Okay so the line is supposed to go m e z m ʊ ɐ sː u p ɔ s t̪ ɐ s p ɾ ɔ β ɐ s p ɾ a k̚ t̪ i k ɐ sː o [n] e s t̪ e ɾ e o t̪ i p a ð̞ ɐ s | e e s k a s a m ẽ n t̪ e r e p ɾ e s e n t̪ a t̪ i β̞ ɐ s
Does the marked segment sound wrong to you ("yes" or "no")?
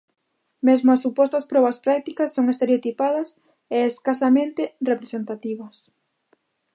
yes